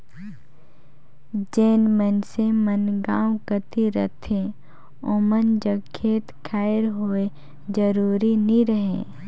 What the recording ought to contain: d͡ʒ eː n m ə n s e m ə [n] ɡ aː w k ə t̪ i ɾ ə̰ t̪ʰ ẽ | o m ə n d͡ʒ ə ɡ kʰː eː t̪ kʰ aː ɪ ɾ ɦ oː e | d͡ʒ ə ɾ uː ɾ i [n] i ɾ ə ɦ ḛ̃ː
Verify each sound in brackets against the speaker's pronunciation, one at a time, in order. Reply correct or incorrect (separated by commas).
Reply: correct, correct